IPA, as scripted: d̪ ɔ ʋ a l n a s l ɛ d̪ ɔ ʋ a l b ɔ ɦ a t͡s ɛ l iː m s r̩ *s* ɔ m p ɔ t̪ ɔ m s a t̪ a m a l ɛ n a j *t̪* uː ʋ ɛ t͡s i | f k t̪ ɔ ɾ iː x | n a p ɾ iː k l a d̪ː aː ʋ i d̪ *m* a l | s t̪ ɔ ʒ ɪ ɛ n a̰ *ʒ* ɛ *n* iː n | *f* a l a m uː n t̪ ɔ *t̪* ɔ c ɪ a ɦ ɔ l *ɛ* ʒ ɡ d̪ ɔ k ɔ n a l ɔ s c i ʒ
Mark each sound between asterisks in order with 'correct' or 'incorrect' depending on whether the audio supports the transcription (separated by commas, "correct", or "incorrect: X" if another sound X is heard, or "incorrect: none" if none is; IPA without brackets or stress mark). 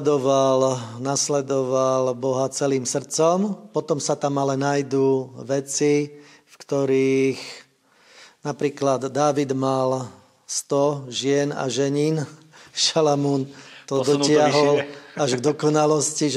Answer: incorrect: t͡s, incorrect: d̪, correct, correct, incorrect: ɲ, incorrect: ʃ, incorrect: d̪, incorrect: a